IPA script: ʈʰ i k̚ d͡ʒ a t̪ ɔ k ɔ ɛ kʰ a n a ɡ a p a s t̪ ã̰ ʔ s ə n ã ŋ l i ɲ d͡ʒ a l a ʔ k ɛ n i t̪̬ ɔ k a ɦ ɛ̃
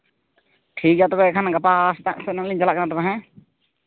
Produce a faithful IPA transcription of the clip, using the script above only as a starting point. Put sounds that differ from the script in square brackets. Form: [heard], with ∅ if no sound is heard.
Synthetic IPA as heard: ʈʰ i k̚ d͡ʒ a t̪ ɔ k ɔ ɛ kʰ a n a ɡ a p a s t̪ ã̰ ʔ s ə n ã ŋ l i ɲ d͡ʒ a l a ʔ k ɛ n [a] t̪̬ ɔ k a ɦ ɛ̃